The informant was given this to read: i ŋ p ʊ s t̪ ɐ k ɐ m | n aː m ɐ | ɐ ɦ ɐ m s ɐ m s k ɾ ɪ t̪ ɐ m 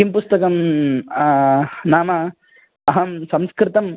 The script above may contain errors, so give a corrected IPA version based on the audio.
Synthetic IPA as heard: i m p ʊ s t̪ ɐ k ɐ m | n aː m ɐ | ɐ ɦ ɐ m s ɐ m s k ɾ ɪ t̪ ɐ m